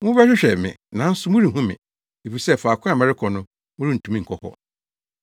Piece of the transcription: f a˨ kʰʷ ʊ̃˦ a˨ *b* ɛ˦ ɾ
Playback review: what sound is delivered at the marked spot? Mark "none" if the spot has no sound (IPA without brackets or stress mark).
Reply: m